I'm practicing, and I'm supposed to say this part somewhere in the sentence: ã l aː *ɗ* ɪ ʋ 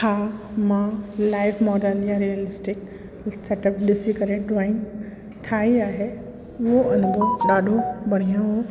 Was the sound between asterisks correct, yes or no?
no